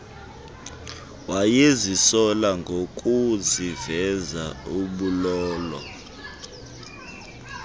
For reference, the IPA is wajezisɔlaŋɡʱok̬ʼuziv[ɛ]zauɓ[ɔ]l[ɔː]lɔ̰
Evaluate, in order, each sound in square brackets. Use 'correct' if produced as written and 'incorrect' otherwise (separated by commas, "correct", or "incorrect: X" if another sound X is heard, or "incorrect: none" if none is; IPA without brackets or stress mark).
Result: correct, incorrect: u, correct